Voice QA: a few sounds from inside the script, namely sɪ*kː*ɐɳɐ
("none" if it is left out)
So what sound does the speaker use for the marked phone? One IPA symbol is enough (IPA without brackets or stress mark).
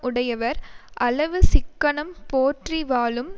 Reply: kː